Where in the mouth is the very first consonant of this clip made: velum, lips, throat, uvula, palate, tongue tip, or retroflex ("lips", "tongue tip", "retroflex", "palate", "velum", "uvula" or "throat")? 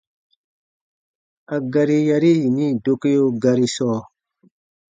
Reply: velum